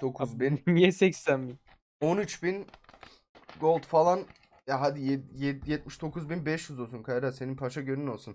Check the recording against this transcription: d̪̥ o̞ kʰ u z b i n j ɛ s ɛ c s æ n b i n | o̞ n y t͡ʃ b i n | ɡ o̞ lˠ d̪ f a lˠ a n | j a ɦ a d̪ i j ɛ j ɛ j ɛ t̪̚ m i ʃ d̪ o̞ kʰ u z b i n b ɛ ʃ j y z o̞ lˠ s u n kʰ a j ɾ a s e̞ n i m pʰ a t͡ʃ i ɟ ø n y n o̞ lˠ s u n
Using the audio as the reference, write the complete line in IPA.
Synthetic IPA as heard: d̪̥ o̞ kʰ u z b i n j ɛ s ɛ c s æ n b i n | o̞ n y t͡ʃ b i n | ɡ o̞ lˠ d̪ f a lˠ a n | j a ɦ a d̪ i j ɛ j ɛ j ɛ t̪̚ m i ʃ d̪ o̞ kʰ u z b i n b ɛ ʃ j y z o̞ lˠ s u n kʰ a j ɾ a s e̞ n i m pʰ a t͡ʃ a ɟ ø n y n o̞ lˠ s u n